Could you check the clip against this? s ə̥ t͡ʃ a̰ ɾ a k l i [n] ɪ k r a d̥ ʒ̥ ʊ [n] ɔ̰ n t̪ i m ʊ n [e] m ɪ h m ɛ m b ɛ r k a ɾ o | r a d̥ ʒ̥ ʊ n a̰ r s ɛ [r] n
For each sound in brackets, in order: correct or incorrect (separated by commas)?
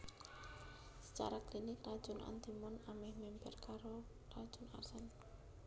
correct, correct, incorrect, incorrect